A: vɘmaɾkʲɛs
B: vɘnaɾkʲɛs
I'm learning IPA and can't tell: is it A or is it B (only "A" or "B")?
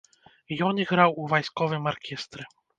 A